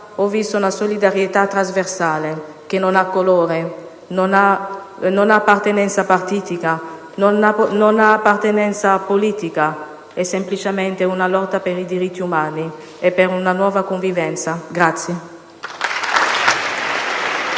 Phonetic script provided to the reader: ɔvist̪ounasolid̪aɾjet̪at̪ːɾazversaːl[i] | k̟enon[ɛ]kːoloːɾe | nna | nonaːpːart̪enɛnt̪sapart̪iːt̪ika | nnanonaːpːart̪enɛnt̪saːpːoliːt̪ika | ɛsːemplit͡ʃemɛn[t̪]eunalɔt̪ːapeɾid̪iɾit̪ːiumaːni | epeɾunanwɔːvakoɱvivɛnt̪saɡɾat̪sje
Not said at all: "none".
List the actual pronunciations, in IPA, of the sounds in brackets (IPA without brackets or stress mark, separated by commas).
e, a, t̪